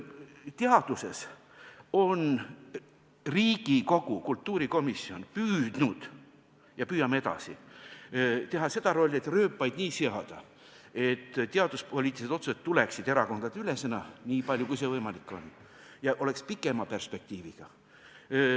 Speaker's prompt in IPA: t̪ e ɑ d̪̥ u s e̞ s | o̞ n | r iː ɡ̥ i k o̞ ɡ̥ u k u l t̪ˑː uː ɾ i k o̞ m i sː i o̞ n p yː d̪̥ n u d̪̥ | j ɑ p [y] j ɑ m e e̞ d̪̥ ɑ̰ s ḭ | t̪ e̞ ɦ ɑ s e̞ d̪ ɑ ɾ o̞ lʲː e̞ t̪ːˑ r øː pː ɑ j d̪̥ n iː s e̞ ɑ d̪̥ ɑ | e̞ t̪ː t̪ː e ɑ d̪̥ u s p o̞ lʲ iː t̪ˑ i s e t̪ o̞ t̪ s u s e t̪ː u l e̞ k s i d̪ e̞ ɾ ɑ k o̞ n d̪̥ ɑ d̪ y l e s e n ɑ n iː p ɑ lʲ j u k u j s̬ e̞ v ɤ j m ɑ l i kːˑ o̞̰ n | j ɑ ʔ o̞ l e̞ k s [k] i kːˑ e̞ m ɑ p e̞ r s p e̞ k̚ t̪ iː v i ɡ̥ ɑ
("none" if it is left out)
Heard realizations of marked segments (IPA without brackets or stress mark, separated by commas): yː, p